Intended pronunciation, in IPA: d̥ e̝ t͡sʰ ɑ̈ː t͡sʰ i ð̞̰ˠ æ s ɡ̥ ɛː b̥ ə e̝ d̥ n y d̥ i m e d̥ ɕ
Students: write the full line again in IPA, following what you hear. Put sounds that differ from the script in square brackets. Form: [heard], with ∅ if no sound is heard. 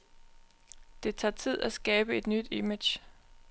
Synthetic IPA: d̥ e̝ t͡sʰ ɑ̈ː t͡sʰ i ð̞̰ˠ æ s ɡ̥ ɛː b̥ ə e̝ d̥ n y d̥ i m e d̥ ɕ

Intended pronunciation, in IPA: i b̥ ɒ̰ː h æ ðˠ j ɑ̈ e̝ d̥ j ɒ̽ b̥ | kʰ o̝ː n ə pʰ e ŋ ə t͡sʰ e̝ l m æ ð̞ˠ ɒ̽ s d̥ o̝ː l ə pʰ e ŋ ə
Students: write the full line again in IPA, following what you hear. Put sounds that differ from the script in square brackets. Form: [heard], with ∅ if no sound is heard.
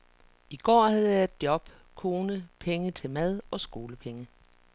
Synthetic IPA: i [ɡ̥] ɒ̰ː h æ ðˠ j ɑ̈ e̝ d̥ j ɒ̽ b̥ | kʰ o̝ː n ə pʰ e ŋ ə t͡sʰ e̝ l m æ ð̞ˠ ɒ̽ s [ɡ̥] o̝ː l ə pʰ e ŋ ə

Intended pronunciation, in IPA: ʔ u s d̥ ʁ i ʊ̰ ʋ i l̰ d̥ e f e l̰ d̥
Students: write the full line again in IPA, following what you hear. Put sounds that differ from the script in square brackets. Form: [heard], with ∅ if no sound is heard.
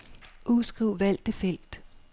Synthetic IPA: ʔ u s [ɡ̥] ʁ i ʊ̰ ʋ [æ] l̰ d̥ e f e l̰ d̥

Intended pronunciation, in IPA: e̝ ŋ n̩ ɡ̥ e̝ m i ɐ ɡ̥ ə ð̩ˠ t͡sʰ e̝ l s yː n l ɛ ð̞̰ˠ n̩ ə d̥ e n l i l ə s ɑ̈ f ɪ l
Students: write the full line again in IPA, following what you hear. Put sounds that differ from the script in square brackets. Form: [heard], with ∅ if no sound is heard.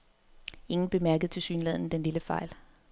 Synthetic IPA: e̝ ŋ n̩ [b̥] e̝ m [æ] ɐ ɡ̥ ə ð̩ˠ t͡sʰ e̝ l s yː n l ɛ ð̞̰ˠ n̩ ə d̥ e n l i l ə [f] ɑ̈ [∅] ɪ l

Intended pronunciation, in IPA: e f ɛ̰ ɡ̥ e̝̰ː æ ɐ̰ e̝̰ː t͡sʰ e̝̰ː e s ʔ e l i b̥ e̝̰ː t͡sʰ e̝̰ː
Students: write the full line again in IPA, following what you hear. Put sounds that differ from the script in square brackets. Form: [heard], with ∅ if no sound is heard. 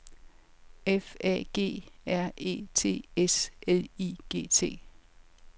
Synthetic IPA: e f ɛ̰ ɡ̥ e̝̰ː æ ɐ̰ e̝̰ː t͡sʰ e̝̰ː e s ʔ e l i [ɡ̥] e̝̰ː t͡sʰ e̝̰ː

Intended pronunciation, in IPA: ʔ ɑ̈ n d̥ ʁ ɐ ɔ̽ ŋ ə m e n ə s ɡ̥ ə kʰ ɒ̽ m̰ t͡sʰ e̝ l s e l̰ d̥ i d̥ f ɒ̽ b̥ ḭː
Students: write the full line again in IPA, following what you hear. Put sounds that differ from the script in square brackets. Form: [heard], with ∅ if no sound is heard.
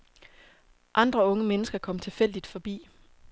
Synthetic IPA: ʔ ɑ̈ n d̥ ʁ ɐ ɔ̽ ŋ ə m e n ə s ɡ̥ [ɐ] kʰ ɒ̽ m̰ t͡sʰ e̝ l [f] e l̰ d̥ i d̥ f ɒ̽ b̥ ḭː

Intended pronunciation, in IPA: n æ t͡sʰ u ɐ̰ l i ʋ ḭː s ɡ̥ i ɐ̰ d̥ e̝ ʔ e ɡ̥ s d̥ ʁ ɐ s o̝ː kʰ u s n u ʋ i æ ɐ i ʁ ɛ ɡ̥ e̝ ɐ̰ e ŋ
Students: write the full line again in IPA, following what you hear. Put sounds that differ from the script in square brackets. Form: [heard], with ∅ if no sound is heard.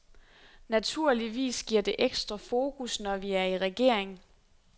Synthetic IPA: n æ t͡sʰ u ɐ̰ l i ʋ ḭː s ɡ̥ i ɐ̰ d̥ e̝ ʔ e ɡ̥ s d̥ ʁ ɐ [f] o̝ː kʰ u s n [ɒ] ʋ i æ ɐ i ʁ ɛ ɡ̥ e̝ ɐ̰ e ŋ

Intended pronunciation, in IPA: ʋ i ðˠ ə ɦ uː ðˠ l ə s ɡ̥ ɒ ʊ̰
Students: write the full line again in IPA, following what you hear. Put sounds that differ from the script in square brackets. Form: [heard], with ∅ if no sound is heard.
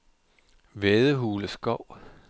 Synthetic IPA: ʋ [e] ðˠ ə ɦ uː [∅] l ə s ɡ̥ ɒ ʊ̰

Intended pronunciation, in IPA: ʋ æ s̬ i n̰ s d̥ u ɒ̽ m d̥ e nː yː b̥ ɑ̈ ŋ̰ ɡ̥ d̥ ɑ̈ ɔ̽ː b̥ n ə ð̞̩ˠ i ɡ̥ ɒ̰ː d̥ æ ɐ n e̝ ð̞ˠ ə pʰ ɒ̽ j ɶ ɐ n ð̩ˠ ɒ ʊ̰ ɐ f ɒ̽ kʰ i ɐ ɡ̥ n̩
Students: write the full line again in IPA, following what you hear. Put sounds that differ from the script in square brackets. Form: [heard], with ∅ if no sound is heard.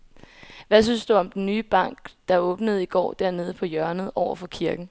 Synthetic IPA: ʋ æ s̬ [y] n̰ s d̥ u ɒ̽ m d̥ e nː yː b̥ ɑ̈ ŋ̰ ɡ̥ d̥ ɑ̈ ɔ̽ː b̥ n ə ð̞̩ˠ i ɡ̥ ɒ̰ː d̥ æ ɐ n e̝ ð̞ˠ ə pʰ ɒ̽ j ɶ ɐ n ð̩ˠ ɒ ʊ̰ ɐ f ɒ̽ kʰ i ɐ ɡ̥ n̩

